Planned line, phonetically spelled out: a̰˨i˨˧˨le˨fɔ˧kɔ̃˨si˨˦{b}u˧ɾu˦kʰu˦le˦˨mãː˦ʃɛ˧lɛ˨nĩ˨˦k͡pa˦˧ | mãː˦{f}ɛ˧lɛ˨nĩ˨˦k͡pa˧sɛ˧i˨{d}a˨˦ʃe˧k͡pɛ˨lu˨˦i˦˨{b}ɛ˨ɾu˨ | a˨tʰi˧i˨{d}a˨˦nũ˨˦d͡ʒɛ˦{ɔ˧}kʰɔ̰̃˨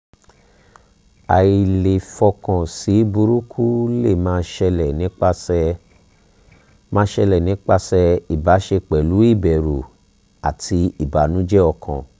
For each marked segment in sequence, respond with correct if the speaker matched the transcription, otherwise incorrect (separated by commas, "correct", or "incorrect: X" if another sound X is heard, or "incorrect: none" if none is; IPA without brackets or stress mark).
correct, incorrect: ʃ, incorrect: b, correct, incorrect: b, correct